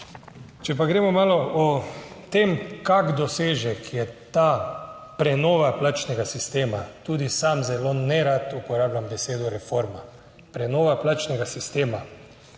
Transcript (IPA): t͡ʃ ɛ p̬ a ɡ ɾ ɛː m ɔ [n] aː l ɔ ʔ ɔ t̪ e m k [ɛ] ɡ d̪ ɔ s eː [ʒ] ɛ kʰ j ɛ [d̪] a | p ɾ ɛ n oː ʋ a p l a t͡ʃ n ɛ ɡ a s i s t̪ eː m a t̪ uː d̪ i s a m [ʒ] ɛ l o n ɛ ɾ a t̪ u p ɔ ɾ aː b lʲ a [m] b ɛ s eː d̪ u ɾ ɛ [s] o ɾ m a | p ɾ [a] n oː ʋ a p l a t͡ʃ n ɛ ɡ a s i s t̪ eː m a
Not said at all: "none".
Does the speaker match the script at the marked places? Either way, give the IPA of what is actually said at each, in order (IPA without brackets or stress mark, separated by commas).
m, a, ʒ, t̪, z, m, f, ɛ